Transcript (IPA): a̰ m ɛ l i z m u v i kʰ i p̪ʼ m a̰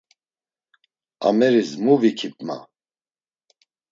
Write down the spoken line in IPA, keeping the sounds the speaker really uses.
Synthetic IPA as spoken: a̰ m ɛ ɾ i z m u v i kʰ i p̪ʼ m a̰